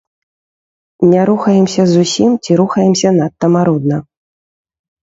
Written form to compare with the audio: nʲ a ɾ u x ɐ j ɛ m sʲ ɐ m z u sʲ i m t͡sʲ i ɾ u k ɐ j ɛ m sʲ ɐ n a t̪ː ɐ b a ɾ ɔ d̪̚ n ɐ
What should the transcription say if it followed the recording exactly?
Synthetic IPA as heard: nʲ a ɾ u x ɐ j ɛ m sʲ ɐ z u sʲ i m t͡sʲ i ɾ u x ɐ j ɛ m sʲ ɐ n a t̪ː ɐ m a ɾ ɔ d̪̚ n ɐ